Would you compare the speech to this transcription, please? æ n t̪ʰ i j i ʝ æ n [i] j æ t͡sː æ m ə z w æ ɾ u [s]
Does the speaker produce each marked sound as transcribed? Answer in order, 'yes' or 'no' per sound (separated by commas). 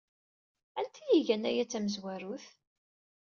no, no